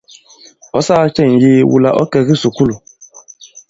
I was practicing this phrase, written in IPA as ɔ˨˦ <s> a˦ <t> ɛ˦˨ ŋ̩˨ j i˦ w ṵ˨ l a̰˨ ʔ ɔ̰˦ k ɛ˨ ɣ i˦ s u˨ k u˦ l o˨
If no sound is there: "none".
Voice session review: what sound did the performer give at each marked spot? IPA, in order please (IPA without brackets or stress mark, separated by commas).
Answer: s, t͡ʃ